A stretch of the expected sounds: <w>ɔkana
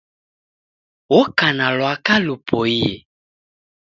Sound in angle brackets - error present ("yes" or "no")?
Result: no